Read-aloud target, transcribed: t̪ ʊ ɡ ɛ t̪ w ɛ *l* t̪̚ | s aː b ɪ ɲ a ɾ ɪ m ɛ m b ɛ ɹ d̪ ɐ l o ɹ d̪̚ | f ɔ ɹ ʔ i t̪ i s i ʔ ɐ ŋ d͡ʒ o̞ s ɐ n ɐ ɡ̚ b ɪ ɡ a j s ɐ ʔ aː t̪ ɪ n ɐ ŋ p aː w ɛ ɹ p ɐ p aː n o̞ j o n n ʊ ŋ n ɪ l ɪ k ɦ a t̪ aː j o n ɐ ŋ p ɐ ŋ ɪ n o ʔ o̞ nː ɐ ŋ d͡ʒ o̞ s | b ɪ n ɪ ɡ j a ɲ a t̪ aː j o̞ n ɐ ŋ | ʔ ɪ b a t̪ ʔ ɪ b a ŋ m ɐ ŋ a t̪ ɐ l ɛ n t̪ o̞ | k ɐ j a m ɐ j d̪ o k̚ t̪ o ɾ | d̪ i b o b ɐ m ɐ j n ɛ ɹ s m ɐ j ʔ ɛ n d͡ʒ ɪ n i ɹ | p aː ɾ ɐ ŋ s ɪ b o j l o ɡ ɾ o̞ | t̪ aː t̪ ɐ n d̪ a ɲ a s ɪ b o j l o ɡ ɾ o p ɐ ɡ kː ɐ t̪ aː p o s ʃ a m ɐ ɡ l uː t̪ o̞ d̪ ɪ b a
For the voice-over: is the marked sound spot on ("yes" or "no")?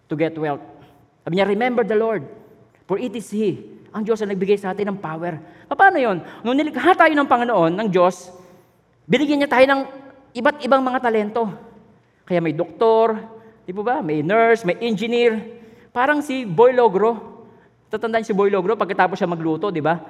yes